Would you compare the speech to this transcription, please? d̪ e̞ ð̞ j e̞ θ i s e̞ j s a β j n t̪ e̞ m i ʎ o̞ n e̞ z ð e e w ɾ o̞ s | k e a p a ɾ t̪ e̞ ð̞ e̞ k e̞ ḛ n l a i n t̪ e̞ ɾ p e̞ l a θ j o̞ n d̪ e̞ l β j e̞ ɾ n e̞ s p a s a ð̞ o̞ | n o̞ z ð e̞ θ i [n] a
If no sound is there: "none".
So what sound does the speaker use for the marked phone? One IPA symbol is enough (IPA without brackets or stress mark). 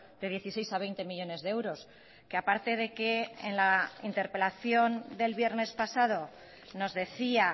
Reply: none